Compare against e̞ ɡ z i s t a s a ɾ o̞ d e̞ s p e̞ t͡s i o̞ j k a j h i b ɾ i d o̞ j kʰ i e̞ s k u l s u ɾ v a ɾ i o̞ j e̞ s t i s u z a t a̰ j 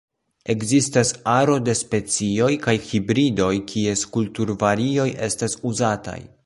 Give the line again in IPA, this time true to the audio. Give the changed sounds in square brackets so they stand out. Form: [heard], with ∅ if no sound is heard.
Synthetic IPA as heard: e̞ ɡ z i s t a s a ɾ o̞ d e̞ s p e̞ t͡s i o̞ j k a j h i b ɾ i d o̞ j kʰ i e̞ s k u l [t] u ɾ v a ɾ i o̞ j e̞ s t [a] s u z a t a̰ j